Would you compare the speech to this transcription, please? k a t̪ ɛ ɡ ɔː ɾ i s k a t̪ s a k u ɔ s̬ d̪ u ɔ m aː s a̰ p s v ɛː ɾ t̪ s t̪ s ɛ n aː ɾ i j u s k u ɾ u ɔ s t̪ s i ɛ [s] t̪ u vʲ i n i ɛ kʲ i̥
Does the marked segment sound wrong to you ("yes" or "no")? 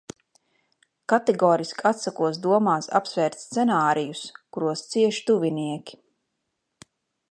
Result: yes